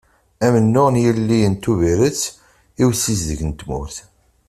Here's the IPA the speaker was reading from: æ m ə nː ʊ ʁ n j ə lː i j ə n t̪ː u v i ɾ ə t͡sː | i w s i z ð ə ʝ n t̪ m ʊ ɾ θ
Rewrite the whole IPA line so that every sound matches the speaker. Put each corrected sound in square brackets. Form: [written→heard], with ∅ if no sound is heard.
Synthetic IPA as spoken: æ m ə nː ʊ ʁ n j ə lː i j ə n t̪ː u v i ɾ ə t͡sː | i w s i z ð ə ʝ n t̪ m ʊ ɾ θ